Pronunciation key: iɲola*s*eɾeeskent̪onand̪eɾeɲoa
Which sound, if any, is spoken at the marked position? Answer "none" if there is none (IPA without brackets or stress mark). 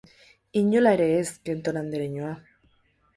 none